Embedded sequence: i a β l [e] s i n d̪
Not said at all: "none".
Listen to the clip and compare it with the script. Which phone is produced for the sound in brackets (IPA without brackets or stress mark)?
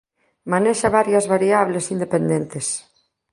e